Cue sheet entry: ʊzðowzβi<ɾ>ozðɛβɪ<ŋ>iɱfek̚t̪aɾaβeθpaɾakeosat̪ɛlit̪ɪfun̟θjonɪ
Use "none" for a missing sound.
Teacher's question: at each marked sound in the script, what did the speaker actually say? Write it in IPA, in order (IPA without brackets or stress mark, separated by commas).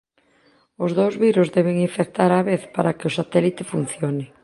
ɾ, ŋ